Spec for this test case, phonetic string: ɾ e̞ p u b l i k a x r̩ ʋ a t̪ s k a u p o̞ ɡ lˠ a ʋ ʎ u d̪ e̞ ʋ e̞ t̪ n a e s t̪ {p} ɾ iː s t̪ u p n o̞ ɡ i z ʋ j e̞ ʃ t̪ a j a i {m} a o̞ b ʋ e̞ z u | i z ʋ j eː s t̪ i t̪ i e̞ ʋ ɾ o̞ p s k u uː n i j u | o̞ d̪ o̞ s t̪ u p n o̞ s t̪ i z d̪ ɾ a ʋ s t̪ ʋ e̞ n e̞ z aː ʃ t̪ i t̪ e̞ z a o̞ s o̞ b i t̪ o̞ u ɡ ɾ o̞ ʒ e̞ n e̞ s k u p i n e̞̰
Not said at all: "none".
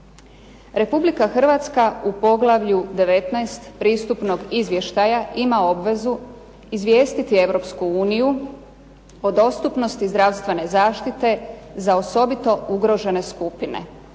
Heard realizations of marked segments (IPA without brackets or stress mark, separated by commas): p, m